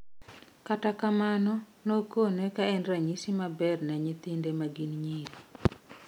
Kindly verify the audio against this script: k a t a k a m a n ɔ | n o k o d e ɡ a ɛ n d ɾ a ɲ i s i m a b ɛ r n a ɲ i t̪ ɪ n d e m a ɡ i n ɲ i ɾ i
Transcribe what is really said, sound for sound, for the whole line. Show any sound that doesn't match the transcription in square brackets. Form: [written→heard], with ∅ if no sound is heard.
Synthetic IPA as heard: k a t a k a m a n ɔ | n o k o [d→n] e [ɡ→k] a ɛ n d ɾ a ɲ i s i m a b ɛ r n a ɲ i t̪ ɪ n d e m a ɡ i n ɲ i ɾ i